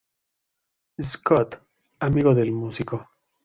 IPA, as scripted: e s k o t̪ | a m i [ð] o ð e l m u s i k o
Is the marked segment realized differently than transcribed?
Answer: yes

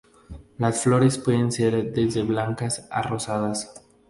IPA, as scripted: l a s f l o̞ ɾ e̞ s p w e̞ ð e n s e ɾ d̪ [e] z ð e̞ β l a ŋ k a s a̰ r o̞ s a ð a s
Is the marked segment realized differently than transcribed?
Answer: no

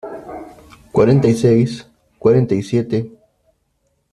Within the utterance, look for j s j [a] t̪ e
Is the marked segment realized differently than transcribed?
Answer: yes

